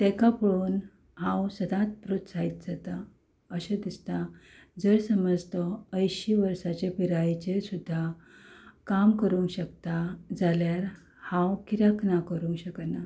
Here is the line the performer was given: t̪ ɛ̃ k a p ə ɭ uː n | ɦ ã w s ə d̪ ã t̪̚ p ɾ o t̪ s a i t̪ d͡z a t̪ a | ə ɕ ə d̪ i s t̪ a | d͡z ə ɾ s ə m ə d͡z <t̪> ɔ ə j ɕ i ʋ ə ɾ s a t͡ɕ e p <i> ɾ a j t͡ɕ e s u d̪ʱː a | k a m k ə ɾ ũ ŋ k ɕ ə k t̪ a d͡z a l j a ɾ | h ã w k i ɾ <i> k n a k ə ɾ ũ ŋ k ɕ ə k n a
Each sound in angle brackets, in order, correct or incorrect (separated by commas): correct, correct, incorrect